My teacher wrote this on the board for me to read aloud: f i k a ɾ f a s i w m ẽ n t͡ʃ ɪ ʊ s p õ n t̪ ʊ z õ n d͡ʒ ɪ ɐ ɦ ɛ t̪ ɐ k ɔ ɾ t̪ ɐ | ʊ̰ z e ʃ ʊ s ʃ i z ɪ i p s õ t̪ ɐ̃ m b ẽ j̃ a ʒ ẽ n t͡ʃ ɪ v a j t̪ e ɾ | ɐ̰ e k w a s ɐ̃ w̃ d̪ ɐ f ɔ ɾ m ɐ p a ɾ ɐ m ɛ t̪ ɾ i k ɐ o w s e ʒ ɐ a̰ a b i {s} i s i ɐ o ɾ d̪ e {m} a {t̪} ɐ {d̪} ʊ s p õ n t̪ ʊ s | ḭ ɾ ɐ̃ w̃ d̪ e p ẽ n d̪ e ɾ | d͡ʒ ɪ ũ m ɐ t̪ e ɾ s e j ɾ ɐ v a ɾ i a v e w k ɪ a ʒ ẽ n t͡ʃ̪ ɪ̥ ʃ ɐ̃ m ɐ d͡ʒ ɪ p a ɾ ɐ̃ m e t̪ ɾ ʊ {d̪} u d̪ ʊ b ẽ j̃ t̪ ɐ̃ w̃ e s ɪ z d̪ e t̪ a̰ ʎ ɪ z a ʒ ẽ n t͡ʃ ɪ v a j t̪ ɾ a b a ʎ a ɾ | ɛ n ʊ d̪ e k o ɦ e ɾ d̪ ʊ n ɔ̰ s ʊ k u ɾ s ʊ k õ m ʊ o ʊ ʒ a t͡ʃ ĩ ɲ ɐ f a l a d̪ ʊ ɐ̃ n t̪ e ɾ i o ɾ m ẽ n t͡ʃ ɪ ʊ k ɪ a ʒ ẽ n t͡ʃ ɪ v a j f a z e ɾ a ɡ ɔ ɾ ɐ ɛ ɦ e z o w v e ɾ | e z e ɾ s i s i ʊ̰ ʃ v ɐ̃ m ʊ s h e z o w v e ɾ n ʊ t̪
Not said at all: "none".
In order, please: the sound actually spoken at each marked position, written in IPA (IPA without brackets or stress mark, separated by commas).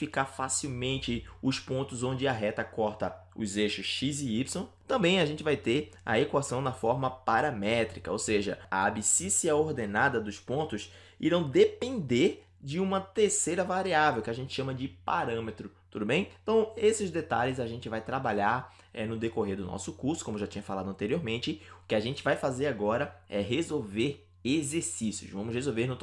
s, n, d̪, d̪, t̪